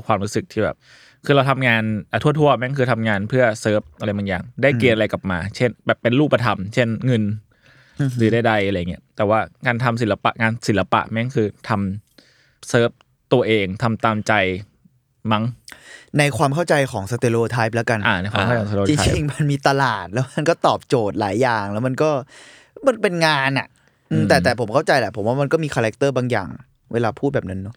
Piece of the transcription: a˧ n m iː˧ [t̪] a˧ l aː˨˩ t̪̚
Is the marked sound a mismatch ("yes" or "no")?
no